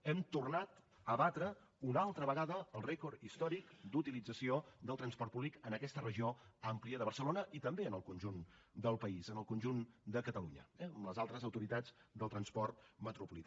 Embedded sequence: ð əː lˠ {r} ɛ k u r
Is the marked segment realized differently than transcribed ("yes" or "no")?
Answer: no